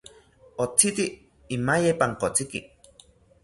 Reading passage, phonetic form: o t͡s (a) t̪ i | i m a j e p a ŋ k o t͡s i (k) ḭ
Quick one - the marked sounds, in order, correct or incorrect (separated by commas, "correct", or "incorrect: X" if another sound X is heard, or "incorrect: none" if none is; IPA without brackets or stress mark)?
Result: incorrect: i, correct